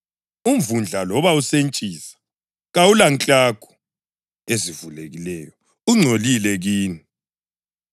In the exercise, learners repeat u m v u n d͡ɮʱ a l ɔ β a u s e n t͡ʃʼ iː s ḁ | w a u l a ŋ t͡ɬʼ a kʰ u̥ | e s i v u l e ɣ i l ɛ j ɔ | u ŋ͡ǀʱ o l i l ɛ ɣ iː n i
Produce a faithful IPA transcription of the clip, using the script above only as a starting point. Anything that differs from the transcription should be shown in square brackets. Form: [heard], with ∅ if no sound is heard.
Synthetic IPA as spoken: u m v u n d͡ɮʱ a l ɔ β a u s e n t͡ʃʼ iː s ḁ | [ɣ] a u l a ŋ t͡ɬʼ a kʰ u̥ | e [z] i v u l e ɣ i l ɛ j ɔ | u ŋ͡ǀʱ o l i l ɛ ɣ iː n i